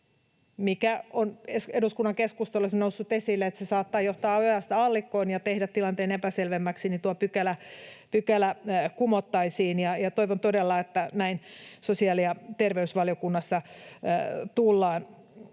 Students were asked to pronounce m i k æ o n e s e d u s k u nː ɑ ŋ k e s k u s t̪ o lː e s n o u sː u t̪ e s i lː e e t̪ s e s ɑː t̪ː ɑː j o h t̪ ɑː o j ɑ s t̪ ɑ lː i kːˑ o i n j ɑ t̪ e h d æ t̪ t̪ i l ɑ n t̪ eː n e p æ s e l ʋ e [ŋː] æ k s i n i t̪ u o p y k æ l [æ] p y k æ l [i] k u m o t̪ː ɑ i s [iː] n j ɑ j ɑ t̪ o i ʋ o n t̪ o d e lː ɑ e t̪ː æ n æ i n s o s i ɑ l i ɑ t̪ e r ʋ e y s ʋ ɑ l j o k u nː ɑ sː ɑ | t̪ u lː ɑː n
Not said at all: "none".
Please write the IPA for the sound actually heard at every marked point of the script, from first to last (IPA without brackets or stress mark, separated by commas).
mː, æ, æ, iː